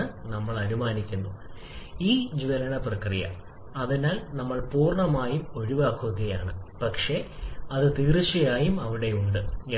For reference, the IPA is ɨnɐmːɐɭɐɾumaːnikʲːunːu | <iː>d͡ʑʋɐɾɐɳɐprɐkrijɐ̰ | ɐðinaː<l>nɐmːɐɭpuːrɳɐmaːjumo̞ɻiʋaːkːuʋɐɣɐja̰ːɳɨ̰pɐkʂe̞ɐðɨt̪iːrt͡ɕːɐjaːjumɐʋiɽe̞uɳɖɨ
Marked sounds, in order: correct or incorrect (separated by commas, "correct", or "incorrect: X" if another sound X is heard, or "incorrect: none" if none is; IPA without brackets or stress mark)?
correct, correct